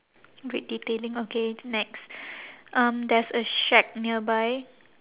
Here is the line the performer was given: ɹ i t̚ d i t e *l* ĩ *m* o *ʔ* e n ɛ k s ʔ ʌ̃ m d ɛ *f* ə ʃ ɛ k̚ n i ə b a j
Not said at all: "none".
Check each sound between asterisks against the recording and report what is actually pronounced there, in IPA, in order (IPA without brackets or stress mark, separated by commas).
l, ŋ, k, s